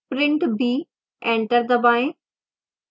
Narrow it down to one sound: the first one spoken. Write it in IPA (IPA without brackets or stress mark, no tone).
p